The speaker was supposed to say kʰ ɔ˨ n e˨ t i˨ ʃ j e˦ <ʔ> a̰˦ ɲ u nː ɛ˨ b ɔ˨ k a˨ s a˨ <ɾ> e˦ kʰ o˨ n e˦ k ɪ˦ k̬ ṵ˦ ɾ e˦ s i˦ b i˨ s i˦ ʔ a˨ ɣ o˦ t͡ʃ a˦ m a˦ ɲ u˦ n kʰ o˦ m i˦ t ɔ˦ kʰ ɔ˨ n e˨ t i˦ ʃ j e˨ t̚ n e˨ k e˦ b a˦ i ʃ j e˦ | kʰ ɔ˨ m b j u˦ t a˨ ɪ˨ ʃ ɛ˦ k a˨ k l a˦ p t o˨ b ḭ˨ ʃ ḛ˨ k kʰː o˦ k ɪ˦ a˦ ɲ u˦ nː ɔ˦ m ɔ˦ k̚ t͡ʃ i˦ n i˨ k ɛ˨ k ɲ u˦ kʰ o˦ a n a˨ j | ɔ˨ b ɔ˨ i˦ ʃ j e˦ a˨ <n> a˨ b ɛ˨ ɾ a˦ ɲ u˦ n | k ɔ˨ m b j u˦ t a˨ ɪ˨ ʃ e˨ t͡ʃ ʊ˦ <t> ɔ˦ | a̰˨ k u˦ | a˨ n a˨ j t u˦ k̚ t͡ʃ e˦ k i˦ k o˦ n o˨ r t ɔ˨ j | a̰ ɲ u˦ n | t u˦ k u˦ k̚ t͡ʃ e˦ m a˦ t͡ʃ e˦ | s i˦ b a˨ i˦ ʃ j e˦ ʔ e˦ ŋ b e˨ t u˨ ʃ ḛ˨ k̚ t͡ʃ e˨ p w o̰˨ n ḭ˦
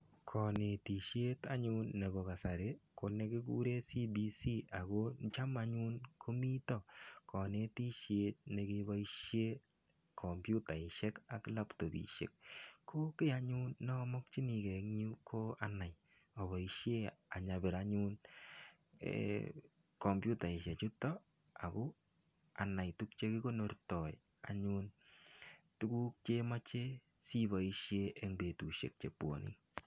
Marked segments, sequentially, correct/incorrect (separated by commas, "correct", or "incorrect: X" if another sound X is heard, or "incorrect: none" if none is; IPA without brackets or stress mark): incorrect: t, correct, incorrect: ɲ, correct